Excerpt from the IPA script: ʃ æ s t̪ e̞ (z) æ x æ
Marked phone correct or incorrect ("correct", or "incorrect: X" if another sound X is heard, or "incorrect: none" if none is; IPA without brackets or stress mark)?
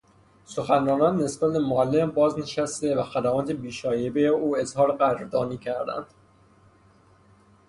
incorrect: v